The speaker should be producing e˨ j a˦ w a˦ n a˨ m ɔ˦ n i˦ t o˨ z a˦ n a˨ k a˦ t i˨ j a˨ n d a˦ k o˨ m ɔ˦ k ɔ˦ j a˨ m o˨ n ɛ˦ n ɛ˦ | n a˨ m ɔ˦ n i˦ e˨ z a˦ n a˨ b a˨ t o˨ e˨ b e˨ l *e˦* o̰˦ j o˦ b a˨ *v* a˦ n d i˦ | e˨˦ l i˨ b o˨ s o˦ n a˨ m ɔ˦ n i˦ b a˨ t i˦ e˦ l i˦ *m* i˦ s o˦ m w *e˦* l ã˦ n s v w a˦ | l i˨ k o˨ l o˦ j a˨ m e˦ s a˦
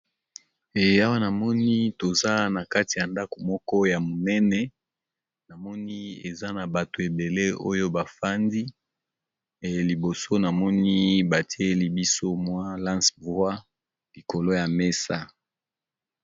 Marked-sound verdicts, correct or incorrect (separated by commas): correct, incorrect, incorrect, incorrect